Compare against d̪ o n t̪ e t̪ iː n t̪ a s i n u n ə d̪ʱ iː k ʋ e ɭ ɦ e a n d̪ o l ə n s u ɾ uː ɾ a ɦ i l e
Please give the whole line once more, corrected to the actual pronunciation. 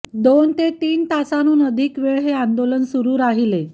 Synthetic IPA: d̪ o n t̪ e t̪ iː n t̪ a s a n uː n ə d̪ʱ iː k ʋ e ɭ ɦ e a n d̪ o l ə n s u ɾ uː ɾ a ɦ i l e